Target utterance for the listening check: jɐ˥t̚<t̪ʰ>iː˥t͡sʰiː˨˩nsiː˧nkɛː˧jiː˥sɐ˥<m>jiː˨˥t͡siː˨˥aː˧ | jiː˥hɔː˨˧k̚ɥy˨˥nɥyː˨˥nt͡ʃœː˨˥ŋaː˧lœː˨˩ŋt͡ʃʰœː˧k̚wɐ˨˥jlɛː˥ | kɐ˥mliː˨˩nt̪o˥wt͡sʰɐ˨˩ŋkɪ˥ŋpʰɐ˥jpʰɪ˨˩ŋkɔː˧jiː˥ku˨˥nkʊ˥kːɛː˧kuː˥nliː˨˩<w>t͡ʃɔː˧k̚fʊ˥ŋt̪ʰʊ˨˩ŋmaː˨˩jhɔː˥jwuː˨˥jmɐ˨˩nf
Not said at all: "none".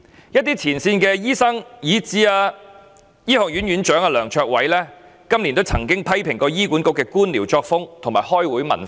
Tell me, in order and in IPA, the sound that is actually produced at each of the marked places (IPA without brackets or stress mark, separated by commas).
t̪, ŋ, w